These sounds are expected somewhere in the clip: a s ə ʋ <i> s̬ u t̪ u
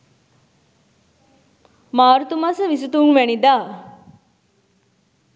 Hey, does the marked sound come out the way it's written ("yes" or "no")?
yes